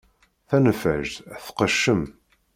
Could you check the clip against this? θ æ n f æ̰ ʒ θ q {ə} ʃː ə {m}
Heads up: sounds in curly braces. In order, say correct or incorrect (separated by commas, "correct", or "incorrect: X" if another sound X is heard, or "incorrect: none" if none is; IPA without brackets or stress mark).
correct, correct